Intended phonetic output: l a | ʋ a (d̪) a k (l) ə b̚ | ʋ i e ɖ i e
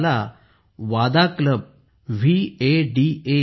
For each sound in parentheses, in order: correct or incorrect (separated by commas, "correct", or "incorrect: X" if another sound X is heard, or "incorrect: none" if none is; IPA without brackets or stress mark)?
correct, correct